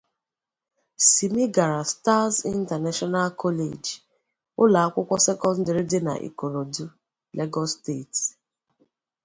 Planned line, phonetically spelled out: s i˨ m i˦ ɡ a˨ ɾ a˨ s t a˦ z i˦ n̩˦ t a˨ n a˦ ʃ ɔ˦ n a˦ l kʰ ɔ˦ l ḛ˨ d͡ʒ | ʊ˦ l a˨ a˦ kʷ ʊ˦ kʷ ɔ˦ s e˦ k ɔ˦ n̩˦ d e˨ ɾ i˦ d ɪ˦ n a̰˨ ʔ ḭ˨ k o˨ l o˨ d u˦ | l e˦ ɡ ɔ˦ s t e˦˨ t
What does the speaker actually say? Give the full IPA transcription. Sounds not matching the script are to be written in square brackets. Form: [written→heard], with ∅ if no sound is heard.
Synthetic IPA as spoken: s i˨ m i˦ ɡ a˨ ɾ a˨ s t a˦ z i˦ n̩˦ t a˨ n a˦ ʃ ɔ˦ n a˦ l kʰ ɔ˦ l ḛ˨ d͡ʒ | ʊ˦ l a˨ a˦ kʷ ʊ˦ kʷ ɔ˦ s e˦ k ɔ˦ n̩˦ d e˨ ɾ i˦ d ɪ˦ n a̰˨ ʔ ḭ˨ k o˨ [l→ɾ] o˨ d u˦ | l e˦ ɡ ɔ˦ s t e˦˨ t